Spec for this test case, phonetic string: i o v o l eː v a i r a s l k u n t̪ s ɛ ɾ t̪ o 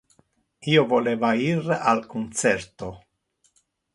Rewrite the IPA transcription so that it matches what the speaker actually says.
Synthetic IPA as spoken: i o v o l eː v a i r a l k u n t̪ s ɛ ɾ t̪ o